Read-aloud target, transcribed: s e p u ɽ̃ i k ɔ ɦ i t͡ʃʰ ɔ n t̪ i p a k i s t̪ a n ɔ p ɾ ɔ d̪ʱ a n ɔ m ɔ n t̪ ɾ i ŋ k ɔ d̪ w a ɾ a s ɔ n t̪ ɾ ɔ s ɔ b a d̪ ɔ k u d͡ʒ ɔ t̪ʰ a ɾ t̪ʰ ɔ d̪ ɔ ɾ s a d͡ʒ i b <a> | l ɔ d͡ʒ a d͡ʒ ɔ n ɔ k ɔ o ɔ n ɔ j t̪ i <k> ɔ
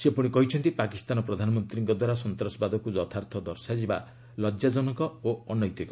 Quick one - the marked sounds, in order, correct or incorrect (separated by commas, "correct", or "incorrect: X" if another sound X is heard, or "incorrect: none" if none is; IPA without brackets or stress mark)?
correct, correct